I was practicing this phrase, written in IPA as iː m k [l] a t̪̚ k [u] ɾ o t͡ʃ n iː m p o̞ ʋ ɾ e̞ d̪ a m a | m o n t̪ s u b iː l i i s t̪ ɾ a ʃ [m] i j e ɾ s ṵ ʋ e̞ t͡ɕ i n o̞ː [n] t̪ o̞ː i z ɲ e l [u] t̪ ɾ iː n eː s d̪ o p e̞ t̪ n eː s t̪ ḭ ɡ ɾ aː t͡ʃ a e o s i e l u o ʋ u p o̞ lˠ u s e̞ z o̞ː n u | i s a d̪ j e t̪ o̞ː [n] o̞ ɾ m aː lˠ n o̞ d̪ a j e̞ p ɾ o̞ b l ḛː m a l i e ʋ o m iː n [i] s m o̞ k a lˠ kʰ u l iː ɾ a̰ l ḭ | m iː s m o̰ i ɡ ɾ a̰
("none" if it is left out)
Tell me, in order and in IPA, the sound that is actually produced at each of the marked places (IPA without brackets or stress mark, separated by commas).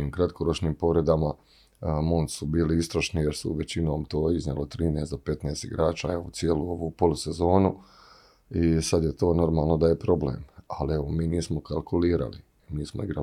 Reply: ɾ, o, n, m, o, n, iː